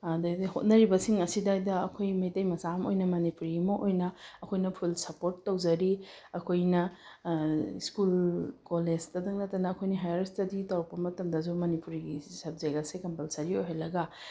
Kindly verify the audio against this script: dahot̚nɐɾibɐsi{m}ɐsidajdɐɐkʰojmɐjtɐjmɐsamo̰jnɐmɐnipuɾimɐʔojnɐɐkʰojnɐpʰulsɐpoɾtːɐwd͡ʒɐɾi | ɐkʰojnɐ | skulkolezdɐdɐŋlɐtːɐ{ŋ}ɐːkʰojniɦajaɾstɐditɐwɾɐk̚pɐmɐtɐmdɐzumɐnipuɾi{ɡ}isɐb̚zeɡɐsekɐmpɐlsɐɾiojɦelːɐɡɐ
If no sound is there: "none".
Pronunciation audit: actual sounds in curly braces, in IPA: ŋ, n, ɡ

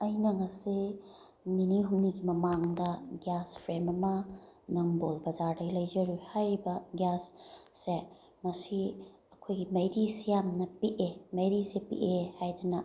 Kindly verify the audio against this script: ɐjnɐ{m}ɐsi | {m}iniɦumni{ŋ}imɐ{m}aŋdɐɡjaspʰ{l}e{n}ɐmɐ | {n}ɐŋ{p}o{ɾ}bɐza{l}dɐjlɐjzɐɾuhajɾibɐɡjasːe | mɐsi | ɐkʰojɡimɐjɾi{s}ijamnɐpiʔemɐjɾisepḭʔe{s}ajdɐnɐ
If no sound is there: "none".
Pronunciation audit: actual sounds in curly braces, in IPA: ŋ, n, ɡ, m, ɾ, m, n, b, l, ɾ, s, h

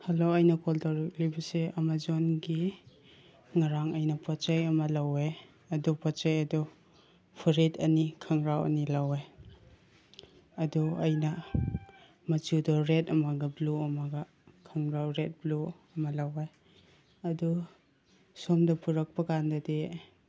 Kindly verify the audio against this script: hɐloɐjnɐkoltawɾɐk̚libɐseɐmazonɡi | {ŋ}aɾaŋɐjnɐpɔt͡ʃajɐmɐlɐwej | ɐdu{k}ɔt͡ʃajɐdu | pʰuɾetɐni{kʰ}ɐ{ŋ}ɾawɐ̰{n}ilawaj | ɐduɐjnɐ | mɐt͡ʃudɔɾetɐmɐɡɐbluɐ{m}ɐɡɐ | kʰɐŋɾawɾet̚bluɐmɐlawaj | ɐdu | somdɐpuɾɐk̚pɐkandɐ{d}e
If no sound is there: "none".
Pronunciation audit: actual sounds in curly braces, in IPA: ŋ, p, kʰ, ŋ, n, m, d

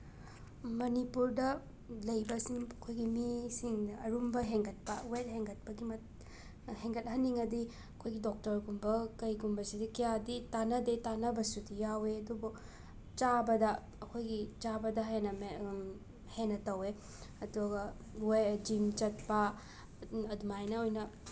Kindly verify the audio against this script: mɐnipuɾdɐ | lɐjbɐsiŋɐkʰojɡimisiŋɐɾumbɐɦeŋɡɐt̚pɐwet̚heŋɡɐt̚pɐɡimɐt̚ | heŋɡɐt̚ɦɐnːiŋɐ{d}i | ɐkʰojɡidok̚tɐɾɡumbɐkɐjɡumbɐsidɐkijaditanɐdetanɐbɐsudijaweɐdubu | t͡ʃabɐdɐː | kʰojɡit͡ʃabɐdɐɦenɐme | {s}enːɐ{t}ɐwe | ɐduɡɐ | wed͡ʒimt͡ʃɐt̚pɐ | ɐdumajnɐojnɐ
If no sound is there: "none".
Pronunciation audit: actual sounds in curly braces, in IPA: d, h, t

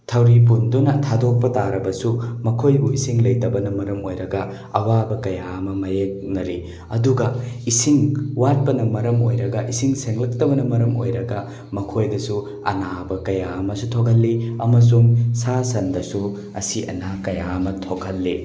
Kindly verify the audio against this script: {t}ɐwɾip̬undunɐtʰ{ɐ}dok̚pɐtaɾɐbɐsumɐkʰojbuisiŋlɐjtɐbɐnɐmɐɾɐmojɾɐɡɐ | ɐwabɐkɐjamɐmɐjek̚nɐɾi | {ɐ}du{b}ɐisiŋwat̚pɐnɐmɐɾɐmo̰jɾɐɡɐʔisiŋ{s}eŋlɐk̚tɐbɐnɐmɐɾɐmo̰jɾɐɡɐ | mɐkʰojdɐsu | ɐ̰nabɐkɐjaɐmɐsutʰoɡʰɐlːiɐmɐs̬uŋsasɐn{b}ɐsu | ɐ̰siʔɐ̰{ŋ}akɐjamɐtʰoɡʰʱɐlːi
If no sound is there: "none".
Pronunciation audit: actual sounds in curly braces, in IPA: tʰ, a, ɐ, ɡ, s, d, n

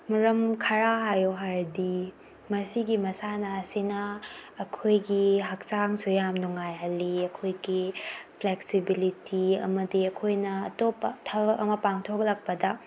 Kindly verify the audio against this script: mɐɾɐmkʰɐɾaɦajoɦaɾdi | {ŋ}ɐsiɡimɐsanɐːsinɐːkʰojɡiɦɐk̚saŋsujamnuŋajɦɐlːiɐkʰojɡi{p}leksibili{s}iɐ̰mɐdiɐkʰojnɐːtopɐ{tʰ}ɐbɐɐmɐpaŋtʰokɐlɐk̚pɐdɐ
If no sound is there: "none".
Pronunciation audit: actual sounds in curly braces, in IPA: m, pʰ, t, tʰ

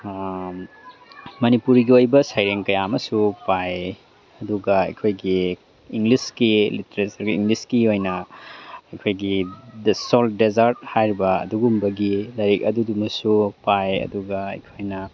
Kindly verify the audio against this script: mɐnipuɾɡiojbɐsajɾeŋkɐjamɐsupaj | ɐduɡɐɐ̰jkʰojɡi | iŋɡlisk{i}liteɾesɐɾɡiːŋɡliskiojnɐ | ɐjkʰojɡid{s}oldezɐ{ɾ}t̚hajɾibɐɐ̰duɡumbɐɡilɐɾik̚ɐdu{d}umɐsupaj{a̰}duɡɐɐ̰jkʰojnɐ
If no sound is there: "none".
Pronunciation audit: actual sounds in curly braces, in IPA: i, s, ɾ, d, ɐ̰

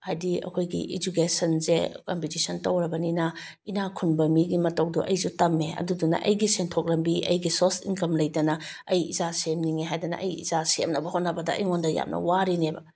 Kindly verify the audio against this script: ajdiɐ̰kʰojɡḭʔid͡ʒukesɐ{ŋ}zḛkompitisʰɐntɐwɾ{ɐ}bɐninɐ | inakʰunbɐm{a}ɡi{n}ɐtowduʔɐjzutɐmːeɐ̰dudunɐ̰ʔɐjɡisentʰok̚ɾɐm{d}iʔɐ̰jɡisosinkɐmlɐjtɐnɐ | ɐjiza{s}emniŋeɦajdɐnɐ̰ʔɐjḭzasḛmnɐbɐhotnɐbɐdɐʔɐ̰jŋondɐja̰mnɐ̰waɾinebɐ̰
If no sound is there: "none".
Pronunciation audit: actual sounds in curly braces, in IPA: n, ɐ, i, m, b, s

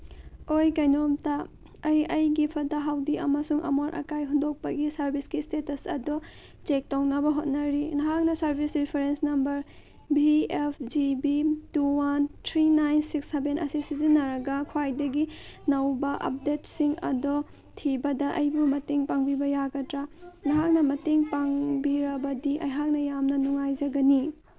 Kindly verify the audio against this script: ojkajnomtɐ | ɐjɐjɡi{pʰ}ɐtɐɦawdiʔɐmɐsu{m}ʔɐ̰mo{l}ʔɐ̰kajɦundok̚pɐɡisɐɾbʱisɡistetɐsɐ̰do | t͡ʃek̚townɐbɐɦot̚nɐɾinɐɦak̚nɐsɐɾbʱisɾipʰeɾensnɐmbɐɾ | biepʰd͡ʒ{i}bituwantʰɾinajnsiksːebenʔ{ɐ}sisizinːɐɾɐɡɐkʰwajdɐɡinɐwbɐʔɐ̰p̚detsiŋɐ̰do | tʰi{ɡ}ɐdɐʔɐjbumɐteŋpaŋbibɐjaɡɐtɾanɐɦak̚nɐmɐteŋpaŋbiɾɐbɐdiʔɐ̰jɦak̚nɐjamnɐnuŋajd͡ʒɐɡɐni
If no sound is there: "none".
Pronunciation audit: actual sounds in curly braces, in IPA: pʰ, ŋ, ɾ, i, ɐ, b

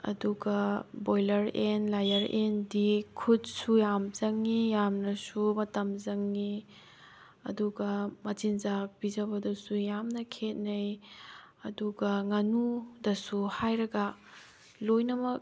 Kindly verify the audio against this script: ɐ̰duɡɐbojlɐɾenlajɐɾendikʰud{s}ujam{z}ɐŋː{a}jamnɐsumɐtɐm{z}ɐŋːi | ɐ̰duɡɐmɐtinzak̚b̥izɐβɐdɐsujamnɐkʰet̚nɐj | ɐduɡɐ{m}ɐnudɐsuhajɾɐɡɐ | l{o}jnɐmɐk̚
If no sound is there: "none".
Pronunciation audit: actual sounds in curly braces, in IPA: s, z, i, z, ŋ, o

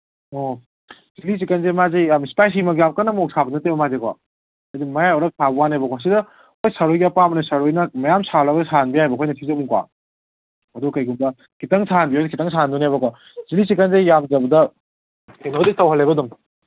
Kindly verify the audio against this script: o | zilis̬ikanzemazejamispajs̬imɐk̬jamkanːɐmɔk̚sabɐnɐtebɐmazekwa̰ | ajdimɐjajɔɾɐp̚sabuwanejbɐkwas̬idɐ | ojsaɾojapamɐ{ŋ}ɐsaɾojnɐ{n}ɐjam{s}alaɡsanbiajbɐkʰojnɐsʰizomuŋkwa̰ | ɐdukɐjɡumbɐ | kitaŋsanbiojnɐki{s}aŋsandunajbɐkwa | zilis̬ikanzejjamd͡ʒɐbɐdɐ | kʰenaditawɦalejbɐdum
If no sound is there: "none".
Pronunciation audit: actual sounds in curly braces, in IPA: n, m, s, t

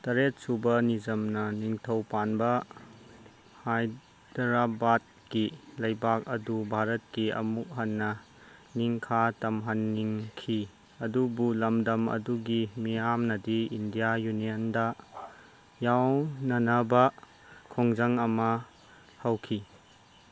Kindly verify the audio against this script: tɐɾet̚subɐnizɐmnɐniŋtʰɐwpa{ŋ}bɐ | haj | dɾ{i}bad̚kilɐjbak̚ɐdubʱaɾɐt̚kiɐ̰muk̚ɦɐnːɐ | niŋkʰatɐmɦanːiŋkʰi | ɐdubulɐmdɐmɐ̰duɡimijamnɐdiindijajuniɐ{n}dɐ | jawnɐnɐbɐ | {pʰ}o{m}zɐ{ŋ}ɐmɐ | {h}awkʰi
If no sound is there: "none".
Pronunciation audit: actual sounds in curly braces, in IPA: n, a, n, kʰ, ŋ, ŋ, h

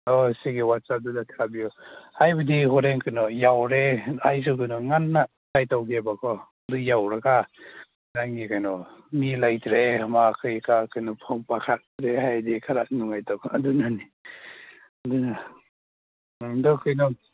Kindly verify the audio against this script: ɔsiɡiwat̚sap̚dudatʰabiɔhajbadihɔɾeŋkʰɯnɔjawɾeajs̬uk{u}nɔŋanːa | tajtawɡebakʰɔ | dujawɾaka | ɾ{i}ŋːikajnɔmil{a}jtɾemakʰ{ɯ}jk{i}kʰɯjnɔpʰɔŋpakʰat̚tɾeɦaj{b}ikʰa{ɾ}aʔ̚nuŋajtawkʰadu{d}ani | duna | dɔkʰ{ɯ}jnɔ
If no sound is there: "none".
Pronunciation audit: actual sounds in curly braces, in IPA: ɯ, a, a, ɯ, a, d, ɾ, n, ɯ

